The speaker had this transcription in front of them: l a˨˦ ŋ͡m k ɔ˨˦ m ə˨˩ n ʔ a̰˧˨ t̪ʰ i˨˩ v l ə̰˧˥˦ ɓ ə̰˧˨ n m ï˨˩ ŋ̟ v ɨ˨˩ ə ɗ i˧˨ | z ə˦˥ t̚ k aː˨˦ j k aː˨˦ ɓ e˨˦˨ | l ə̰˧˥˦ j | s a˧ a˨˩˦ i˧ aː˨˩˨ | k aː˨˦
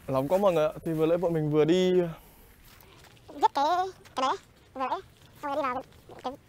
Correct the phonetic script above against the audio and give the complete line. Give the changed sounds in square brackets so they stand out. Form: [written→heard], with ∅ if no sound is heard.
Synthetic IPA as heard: l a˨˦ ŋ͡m k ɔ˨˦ m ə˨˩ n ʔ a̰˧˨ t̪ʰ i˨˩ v l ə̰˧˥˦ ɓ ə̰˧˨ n m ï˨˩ ŋ̟ v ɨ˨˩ ə ɗ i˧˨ | z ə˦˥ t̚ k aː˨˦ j k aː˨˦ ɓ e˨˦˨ | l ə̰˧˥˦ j | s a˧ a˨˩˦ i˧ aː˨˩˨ | k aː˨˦

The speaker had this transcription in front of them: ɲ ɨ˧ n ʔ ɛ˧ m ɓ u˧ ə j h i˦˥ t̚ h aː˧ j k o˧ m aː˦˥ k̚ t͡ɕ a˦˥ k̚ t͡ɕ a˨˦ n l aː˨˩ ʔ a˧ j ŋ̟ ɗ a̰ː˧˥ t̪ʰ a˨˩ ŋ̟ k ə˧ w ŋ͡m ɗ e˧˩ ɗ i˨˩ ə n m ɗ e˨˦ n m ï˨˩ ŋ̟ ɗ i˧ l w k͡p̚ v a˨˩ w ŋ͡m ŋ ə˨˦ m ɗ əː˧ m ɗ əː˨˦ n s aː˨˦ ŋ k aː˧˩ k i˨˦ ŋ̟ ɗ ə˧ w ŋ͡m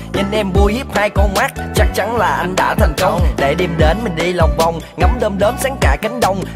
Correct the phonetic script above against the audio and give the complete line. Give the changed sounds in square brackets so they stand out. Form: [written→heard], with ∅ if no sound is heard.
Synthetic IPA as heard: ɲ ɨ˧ n ʔ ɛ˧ m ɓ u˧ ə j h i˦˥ [t̚→p̚] h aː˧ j k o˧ m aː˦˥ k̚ t͡ɕ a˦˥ k̚ t͡ɕ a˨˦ n l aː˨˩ ʔ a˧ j ŋ̟ ɗ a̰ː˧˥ t̪ʰ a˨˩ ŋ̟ k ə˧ w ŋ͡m ɗ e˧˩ ɗ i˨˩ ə [n→∅] m ɗ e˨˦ n m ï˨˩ ŋ̟ ɗ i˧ l w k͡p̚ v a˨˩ w ŋ͡m ŋ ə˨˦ m ɗ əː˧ m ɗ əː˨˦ n s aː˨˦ ŋ k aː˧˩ k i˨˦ ŋ̟ ɗ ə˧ w ŋ͡m

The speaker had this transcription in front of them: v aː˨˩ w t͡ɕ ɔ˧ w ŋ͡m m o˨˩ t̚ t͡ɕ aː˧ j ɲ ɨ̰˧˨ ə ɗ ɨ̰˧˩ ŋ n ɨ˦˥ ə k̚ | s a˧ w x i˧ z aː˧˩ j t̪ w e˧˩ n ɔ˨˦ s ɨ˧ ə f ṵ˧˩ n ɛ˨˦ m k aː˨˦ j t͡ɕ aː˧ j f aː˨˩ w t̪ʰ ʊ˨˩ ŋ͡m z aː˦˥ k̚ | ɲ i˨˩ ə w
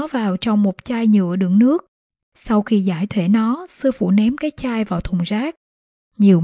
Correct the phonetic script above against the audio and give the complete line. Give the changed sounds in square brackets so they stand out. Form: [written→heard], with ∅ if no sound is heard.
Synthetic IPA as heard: v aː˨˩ w t͡ɕ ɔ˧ w ŋ͡m m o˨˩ t̚ t͡ɕ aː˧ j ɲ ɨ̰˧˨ ə ɗ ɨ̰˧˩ ŋ n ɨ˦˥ ə k̚ | s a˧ w x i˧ z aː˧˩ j [t̪→t̪ʰ] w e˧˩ n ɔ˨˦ s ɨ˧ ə f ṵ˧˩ n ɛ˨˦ m k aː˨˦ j t͡ɕ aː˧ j [f→v] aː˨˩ w t̪ʰ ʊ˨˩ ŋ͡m z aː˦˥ k̚ | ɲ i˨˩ ə w

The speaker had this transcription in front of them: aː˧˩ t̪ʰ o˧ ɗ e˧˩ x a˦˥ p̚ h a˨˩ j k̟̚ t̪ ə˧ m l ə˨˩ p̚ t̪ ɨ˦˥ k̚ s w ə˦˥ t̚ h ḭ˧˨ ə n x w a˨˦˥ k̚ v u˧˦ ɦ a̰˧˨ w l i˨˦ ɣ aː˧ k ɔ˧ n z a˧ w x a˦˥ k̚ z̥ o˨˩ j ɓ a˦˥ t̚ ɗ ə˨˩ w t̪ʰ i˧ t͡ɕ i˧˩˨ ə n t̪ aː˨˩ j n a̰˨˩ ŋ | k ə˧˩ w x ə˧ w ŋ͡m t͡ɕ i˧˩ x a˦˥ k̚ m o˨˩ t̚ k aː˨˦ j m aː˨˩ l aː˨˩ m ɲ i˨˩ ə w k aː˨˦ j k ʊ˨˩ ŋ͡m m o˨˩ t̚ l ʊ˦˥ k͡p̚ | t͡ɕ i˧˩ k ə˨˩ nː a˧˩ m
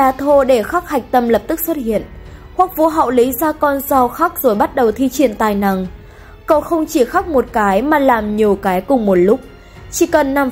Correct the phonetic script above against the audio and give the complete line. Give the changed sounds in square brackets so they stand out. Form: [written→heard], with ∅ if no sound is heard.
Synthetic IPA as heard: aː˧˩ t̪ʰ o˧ ɗ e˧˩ x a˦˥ [p̚→k̚] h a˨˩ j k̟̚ t̪ ə˧ m l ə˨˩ p̚ t̪ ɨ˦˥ k̚ s w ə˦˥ t̚ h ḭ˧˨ ə n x w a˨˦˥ k̚ v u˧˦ ɦ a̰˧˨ w l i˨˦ [ɣ→z] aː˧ k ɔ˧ n z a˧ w x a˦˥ k̚ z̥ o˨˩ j ɓ a˦˥ t̚ ɗ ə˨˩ w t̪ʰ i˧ t͡ɕ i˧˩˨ ə n t̪ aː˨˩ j n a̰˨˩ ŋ | k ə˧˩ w x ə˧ w ŋ͡m t͡ɕ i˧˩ x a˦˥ k̚ m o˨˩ t̚ k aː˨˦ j m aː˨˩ l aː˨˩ m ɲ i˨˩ ə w k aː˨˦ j k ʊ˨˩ ŋ͡m m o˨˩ t̚ l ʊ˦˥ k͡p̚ | t͡ɕ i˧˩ k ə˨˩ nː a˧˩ m

